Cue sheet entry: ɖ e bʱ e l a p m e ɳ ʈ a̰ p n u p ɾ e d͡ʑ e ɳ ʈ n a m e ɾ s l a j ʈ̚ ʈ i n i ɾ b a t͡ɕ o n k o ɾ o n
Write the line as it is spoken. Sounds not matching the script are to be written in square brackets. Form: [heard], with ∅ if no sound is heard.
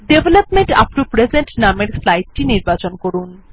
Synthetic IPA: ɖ e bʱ e l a p m e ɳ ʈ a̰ p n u p ɾ e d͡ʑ e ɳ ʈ n a m e ɾ s l a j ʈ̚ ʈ i n i ɾ b a t͡ɕ o n k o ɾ [u] n

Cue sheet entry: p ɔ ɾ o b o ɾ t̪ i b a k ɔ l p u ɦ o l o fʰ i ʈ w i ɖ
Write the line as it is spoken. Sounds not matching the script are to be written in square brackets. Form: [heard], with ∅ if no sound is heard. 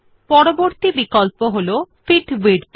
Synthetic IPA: p ɔ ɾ o b o ɾ t̪ i b [i] k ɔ l p [o] ɦ o l o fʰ i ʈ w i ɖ

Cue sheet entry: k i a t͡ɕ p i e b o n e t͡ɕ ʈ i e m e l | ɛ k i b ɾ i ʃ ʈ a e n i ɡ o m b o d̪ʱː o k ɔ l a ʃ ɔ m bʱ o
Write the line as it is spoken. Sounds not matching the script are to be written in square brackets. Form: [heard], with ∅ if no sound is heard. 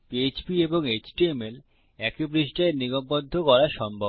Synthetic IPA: [p] i [e] t͡ɕ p i e b o [ŋ] e t͡ɕ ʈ i e m e l | ɛ k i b ɾ i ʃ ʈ a e n i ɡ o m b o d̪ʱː o k ɔ [ɾ] a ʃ ɔ m bʱ o

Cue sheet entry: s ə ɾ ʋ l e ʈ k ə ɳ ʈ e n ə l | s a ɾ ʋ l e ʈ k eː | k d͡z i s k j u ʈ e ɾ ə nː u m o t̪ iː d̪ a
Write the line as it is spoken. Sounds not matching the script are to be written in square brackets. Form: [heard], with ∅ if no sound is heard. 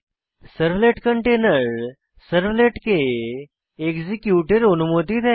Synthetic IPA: s ə ɾ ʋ l e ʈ k ə ɳ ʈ e n ə [ɾ] | s [ə] ɾ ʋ l e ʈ k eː | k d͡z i [∅] k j u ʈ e ɾ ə [n] u m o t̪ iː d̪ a

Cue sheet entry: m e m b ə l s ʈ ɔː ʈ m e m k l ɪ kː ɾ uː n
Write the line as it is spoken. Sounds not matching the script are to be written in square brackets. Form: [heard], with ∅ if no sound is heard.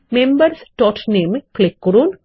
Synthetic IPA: m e m b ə [ɾ] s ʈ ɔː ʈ [n] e m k l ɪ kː ɾ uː n

